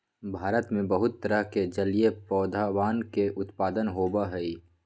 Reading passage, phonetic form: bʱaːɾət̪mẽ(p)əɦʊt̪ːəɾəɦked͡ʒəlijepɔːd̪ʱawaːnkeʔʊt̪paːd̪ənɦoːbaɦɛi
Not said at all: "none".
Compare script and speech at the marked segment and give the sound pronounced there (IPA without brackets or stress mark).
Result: b